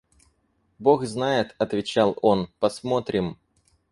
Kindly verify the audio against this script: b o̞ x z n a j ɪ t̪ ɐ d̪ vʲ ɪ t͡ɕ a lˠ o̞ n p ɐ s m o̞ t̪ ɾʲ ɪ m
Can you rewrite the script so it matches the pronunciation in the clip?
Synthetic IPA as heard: b o̞ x z n a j ɪ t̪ ɐ t̪ vʲ ɪ t͡ɕ a lˠ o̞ n p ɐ s m o̞ t̪ ɾʲ ɪ m